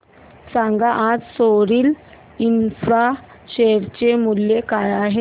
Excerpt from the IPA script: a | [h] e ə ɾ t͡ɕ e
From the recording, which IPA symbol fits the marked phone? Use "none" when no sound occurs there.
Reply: ɕ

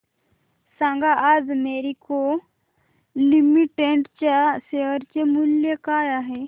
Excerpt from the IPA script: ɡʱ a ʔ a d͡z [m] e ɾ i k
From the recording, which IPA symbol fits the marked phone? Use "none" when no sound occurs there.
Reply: m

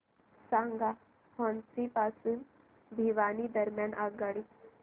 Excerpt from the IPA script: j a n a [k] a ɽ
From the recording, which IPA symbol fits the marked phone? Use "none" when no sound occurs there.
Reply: ɡ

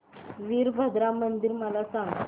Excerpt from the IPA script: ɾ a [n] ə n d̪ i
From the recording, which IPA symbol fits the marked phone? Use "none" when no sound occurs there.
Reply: m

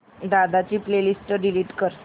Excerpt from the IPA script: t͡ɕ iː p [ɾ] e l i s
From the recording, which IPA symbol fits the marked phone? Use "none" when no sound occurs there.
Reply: l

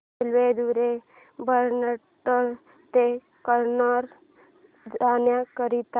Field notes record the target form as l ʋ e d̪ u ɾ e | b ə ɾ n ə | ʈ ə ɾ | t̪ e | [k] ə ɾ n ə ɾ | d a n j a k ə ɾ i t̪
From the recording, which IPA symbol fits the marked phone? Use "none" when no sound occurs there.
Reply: k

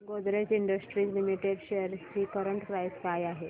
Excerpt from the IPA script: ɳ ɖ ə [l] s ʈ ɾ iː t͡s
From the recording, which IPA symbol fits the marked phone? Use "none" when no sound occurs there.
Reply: none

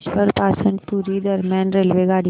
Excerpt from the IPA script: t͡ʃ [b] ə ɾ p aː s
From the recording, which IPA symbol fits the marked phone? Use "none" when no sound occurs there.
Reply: p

